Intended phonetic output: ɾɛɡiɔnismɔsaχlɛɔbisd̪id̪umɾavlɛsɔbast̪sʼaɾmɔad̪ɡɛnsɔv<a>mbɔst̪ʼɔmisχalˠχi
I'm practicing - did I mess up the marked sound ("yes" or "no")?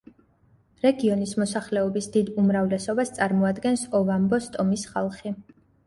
no